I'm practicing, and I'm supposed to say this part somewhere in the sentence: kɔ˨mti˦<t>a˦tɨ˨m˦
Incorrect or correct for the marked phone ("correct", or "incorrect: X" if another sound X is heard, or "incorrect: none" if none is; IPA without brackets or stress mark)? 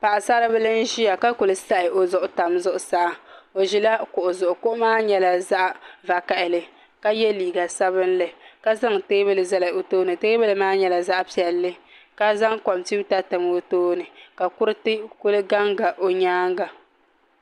correct